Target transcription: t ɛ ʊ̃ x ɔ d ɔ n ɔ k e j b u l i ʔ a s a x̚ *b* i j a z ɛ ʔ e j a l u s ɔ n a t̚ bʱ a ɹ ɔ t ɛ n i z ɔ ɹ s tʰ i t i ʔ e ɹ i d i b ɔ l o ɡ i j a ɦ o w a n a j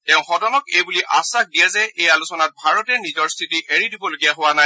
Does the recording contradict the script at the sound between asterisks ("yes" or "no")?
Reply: yes